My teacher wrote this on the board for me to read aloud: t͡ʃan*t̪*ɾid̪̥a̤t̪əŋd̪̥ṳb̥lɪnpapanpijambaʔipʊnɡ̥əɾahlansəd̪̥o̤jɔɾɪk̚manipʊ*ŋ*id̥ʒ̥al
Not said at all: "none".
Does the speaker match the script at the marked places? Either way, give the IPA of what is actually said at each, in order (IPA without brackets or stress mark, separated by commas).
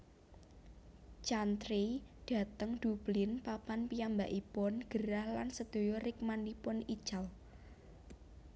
t̪, n